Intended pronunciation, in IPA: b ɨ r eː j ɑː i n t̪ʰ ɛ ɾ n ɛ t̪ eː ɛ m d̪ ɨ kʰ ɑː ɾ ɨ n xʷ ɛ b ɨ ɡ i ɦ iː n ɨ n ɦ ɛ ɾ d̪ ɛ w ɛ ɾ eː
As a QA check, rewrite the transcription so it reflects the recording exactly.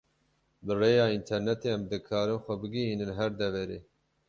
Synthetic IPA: b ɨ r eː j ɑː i n t̪ʰ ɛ ɾ n ɛ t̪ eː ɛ m d̪ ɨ kʰ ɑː ɾ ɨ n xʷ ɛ b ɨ ɡ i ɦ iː n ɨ n ɦ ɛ ɾ d̪ ɛ v ɛ ɾ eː